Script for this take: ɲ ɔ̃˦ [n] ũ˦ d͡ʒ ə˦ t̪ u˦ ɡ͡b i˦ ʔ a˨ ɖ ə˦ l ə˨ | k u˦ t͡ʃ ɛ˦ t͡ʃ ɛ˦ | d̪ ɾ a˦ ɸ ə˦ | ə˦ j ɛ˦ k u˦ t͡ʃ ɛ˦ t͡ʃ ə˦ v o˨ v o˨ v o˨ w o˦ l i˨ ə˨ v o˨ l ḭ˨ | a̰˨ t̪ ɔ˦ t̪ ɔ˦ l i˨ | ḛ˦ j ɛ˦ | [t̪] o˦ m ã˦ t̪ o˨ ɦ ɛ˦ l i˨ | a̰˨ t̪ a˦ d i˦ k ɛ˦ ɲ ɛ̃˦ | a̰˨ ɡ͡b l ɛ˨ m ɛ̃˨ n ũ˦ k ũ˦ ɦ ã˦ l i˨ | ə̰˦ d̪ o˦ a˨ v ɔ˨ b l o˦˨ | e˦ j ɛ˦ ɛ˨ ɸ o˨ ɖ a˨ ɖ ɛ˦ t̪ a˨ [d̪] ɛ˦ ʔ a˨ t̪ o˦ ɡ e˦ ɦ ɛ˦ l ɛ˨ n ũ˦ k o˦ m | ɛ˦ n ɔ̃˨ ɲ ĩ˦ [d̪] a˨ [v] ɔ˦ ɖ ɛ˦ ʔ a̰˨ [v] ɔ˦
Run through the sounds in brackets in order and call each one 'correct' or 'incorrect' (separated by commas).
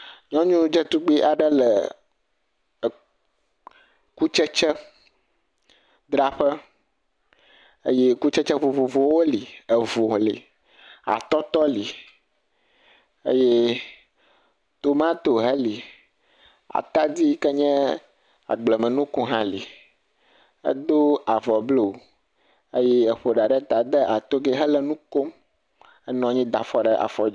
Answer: incorrect, correct, correct, correct, incorrect, incorrect